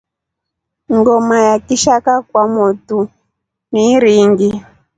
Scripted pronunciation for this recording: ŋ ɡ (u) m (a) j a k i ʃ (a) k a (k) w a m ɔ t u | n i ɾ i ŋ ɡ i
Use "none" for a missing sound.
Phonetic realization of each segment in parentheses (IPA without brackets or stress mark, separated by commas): ɔ, a, a, k